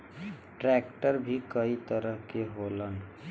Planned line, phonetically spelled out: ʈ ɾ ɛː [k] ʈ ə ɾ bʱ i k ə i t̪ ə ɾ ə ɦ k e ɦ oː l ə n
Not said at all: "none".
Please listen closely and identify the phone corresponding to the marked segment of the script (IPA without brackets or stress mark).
k